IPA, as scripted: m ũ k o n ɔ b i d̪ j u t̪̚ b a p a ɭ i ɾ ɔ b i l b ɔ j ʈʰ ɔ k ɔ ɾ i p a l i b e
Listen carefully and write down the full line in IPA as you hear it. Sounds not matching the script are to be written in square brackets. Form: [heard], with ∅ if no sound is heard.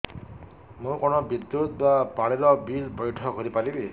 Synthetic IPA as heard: m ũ k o n ɔ b i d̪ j u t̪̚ b a p a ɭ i ɾ ɔ b i l b ɔ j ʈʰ ɔ k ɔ ɾ i p a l i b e